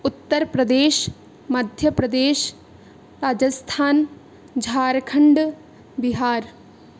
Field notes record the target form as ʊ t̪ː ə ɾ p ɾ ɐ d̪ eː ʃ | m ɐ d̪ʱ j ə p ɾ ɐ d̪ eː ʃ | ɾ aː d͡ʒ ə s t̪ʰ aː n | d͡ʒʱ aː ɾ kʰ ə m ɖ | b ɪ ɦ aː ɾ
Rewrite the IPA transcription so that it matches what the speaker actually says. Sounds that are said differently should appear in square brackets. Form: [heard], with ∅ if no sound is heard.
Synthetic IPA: ʊ t̪ː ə ɾ p ɾ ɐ d̪ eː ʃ | m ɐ d̪ʱ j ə p ɾ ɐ d̪ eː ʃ | ɾ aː d͡ʒ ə s t̪ʰ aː n | d͡ʒʱ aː ɾ kʰ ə [ɳ] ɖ | b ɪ ɦ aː ɾ

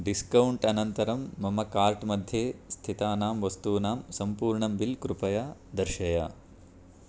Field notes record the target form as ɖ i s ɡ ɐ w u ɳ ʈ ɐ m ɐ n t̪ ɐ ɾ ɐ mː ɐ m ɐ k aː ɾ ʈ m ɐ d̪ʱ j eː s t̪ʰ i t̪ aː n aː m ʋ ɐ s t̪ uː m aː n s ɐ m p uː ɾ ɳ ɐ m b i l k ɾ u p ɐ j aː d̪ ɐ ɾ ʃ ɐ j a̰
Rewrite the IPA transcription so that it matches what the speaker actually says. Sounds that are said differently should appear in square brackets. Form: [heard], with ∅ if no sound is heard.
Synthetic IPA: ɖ i s [k] ɐ w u ɳ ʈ ɐ [n] ɐ n t̪ ɐ ɾ ɐ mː ɐ m ɐ k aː ɾ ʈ m ɐ d̪ʱ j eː s t̪ʰ i t̪ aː n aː m ʋ ɐ s t̪ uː [n] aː [m] s ɐ m p uː ɾ ɳ ɐ m b i l k ɾ u p ɐ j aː d̪ ɐ ɾ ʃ ɐ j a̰

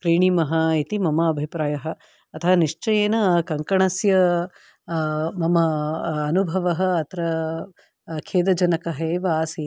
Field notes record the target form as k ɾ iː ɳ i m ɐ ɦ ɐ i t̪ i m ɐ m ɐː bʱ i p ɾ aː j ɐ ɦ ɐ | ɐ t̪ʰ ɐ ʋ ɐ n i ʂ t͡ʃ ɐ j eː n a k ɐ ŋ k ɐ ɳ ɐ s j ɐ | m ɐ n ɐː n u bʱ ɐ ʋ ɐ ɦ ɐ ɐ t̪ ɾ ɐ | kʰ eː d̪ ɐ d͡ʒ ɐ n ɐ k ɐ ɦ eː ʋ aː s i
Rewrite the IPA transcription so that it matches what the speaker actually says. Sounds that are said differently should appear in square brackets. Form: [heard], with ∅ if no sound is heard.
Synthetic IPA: k ɾ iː ɳ i m ɐ ɦ ɐ i t̪ i m ɐ m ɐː bʱ i p ɾ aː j ɐ ɦ ɐ | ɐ t̪ʰ ɐ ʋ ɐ n i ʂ t͡ʃ ɐ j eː n [ɐ] k ɐ ŋ k ɐ ɳ ɐ s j ɐ | m ɐ [m] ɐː n u bʱ ɐ ʋ ɐ ɦ ɐ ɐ t̪ ɾ ɐ | kʰ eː d̪ ɐ d͡ʒ ɐ n ɐ k ɐ ɦ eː ʋ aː s i

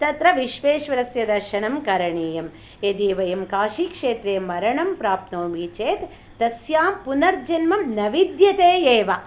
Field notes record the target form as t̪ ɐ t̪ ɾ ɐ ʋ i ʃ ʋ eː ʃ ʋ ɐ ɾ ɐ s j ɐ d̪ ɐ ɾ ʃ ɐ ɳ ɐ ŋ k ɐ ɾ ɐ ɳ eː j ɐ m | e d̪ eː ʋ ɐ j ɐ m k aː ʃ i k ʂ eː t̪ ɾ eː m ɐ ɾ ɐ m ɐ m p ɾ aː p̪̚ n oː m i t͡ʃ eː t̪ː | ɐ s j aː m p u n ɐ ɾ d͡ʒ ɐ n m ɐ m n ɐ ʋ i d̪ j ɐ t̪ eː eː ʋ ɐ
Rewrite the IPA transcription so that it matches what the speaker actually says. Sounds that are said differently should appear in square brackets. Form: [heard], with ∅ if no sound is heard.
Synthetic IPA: t̪ ɐ t̪ ɾ ɐ ʋ i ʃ ʋ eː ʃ ʋ ɐ ɾ ɐ s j ɐ d̪ ɐ ɾ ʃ ɐ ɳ ɐ [m] k ɐ ɾ ɐ ɳ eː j ɐ m | e d̪ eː ʋ ɐ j ɐ m k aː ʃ i k ʂ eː t̪ ɾ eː m ɐ ɾ ɐ [ɳ] ɐ m p ɾ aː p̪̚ n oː m i t͡ʃ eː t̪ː | ɐ s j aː m p u n ɐ ɾ d͡ʒ ɐ n m ɐ m n ɐ ʋ i d̪ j ɐ t̪ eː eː ʋ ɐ

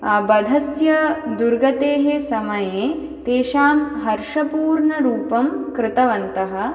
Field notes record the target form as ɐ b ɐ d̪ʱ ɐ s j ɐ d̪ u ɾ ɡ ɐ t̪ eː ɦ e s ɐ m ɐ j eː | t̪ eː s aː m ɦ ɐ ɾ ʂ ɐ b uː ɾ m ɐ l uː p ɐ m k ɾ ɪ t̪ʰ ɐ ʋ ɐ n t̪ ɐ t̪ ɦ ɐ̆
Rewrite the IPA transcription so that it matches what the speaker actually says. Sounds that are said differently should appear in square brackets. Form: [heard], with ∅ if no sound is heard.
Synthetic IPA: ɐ b ɐ d̪ʱ ɐ s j ɐ d̪ u ɾ ɡ ɐ t̪ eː ɦ e s ɐ m ɐ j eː | t̪ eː [ʃ] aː m ɦ ɐ ɾ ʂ ɐ [p] uː ɾ [ɳ] ɐ [ɾ] uː p ɐ m k ɾ ɪ [t̪] ɐ ʋ ɐ n t̪ ɐ [∅] ɦ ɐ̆

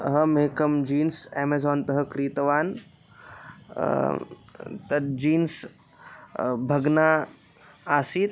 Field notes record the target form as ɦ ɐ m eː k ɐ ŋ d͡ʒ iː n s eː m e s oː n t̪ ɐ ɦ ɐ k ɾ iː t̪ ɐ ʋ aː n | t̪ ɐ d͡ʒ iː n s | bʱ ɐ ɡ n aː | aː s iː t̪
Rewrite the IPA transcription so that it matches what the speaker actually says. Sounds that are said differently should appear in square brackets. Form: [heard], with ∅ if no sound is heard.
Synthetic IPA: ɦ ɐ m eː k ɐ [m] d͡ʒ iː n s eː m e [z] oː n t̪ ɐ ɦ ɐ k ɾ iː t̪ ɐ ʋ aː n | t̪ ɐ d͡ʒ iː n s | bʱ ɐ ɡ n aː | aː s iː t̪

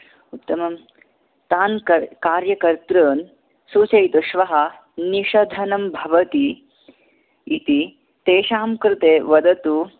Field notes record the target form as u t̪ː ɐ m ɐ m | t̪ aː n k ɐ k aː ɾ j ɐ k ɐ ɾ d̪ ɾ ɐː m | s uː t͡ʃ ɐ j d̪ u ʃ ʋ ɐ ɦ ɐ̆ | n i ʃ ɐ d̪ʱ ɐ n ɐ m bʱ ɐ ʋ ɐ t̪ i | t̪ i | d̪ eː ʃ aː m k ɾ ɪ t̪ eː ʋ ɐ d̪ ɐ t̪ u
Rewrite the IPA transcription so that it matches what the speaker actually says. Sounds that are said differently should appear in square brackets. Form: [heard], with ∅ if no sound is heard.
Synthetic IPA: u t̪ː ɐ m ɐ m | t̪ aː n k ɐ k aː ɾ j ɐ k ɐ ɾ [t̪] ɾ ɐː [n] | s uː t͡ʃ ɐ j [t̪] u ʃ ʋ ɐ ɦ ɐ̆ | n i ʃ ɐ d̪ʱ ɐ n ɐ m bʱ ɐ ʋ ɐ t̪ i | t̪ i | [t̪] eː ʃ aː m k ɾ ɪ t̪ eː ʋ ɐ d̪ ɐ t̪ u

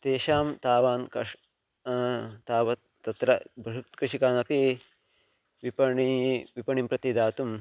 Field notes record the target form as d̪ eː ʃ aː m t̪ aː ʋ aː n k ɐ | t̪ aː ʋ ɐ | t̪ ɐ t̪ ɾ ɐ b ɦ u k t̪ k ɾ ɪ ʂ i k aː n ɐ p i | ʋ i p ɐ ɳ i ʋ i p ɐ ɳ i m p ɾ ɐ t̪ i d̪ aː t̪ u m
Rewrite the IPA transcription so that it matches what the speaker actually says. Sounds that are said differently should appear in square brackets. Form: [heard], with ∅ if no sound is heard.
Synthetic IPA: [t̪] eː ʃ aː m t̪ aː ʋ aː n k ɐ | t̪ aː ʋ ɐ | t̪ ɐ t̪ ɾ ɐ b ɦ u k t̪ k ɾ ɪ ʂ i k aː n ɐ p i | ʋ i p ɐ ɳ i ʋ i p ɐ ɳ i m p ɾ ɐ t̪ i d̪ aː t̪ u m

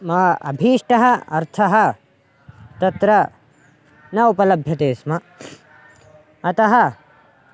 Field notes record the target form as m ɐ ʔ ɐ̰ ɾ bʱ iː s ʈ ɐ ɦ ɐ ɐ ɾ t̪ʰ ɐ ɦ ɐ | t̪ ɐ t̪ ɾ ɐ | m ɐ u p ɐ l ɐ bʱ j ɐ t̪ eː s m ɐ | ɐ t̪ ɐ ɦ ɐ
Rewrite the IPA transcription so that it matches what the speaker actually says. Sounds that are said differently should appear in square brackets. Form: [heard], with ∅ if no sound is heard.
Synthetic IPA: m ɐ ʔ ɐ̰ [∅] bʱ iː [ʂ] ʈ ɐ ɦ ɐ ɐ ɾ t̪ʰ ɐ ɦ ɐ | t̪ ɐ t̪ ɾ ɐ | [n] ɐ u p ɐ l ɐ bʱ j ɐ t̪ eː s m ɐ | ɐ t̪ ɐ ɦ ɐ

